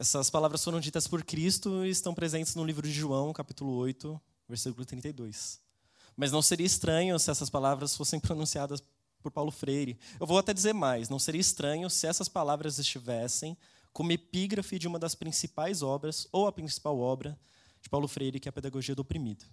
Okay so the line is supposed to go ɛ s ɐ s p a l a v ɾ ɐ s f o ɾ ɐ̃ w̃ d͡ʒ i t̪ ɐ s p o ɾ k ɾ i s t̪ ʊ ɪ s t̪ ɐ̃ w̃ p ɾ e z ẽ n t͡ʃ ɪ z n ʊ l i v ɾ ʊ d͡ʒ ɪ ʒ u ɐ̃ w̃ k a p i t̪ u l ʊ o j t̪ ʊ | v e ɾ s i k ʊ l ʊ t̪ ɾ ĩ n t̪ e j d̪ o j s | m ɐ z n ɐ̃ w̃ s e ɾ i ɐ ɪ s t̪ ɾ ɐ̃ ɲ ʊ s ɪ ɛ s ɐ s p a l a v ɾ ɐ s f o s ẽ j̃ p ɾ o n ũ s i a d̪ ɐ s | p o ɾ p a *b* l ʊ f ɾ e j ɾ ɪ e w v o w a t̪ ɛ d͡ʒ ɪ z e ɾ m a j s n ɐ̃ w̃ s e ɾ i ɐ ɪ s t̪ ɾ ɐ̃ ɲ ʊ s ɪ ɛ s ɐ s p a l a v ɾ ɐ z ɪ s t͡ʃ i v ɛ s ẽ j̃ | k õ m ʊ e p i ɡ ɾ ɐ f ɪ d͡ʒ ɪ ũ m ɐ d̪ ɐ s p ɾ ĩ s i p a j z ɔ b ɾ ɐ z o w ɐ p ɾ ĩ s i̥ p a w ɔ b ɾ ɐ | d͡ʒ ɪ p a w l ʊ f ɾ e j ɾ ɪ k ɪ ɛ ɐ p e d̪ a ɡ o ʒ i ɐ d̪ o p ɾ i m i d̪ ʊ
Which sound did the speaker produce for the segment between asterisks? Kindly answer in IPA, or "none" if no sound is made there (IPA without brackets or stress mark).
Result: w